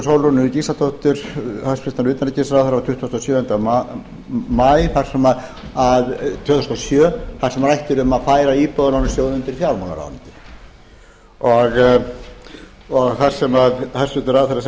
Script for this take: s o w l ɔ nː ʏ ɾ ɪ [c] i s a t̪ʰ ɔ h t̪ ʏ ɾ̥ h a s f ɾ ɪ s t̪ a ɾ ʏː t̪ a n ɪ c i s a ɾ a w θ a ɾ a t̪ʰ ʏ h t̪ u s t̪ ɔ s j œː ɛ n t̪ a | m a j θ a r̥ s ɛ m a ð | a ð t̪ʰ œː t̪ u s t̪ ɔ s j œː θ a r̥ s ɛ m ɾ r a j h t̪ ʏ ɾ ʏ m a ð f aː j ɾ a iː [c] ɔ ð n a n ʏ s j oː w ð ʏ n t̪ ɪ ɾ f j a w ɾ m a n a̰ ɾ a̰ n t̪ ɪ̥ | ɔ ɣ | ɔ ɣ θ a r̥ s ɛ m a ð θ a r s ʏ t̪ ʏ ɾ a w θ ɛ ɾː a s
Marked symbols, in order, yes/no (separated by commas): yes, no